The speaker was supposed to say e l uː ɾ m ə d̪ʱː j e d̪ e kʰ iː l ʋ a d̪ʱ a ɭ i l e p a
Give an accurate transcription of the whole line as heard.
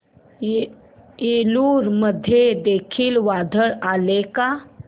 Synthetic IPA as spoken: e l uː ɾ m ə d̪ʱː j e d̪ e kʰ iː l ʋ a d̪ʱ ə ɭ a l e k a